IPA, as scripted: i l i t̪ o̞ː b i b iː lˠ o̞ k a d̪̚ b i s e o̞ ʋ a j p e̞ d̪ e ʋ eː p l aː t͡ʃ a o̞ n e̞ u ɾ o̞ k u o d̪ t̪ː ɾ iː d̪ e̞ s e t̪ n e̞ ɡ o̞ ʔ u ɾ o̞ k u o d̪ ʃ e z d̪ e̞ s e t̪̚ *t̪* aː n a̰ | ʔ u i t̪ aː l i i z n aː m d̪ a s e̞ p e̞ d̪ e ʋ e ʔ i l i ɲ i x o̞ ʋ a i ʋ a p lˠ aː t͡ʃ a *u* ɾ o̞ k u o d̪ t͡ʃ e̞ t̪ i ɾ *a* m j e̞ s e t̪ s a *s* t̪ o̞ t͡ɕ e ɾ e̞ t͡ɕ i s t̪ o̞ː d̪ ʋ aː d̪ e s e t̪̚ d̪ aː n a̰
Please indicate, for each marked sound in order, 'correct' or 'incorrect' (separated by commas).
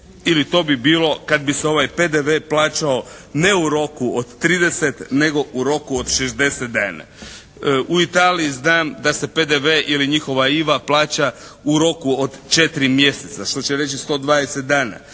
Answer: incorrect, correct, incorrect, incorrect